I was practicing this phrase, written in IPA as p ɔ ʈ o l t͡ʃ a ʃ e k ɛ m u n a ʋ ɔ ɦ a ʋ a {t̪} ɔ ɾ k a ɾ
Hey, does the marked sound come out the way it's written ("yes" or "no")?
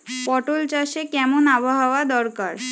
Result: no